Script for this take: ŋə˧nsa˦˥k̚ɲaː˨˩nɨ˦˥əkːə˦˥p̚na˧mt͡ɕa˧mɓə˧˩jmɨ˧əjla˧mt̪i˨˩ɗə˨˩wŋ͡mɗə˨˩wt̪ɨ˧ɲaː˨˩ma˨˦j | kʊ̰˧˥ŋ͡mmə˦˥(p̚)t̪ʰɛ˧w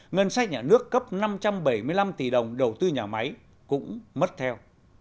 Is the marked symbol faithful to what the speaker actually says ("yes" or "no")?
no